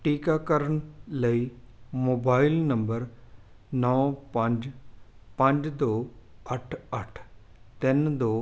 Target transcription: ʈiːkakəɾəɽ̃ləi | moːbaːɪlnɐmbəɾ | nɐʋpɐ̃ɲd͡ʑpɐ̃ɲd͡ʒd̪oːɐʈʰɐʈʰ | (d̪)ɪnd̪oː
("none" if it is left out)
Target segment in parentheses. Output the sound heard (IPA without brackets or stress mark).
t̪